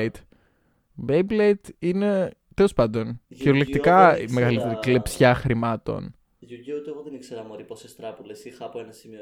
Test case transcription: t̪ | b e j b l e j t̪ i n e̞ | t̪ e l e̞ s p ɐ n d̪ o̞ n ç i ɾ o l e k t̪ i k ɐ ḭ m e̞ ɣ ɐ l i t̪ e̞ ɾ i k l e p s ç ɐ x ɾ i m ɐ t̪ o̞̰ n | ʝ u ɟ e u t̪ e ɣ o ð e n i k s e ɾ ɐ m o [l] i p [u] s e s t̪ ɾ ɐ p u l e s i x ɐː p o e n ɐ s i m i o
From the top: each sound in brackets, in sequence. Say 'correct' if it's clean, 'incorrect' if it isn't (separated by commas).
incorrect, incorrect